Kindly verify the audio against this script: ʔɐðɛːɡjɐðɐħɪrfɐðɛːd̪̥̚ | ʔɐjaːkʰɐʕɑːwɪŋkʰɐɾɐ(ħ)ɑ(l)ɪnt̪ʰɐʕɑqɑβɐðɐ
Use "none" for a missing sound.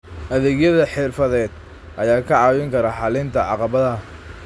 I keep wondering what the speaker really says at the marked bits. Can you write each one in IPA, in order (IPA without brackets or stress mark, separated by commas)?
ħ, l